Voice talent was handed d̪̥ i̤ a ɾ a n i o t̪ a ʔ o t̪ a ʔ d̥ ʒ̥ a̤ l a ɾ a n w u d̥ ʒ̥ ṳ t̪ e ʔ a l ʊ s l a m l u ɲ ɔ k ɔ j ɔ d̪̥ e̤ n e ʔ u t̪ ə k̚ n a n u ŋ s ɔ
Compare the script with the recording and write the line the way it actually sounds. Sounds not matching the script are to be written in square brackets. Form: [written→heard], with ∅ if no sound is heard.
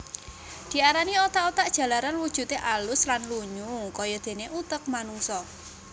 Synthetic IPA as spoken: d̪̥ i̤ a ɾ a n i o t̪ a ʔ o t̪ a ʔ d̥ ʒ̥ a̤ l a ɾ a n w u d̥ ʒ̥ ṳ t̪ e ʔ a l ʊ s l a [m→n] l u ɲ [ɔ→u] k ɔ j ɔ d̪̥ e̤ n e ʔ u t̪ ə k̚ [n→m] a n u ŋ s ɔ